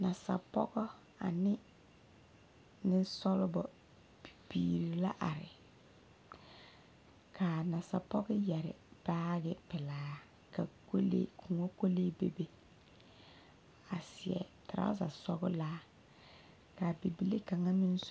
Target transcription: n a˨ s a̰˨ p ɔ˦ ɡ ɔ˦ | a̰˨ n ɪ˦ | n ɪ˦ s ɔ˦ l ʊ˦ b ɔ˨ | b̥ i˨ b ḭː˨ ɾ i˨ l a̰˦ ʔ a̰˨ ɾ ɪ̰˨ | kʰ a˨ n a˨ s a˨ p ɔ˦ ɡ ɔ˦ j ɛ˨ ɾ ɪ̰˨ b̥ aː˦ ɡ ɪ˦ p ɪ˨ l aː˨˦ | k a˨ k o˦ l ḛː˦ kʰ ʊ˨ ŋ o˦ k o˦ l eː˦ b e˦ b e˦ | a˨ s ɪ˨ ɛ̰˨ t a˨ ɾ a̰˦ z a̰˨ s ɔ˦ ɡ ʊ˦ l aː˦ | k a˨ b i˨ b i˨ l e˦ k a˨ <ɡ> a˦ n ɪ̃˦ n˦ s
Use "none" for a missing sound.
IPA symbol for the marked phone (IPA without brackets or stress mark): ŋ